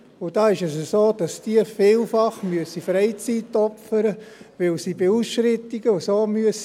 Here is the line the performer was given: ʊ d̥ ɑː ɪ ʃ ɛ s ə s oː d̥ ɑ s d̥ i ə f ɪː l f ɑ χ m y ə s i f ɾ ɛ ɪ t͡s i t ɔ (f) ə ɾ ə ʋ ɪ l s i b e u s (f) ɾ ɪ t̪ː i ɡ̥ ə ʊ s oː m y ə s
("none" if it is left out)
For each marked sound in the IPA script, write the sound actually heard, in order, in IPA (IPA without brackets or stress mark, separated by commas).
f, ʃ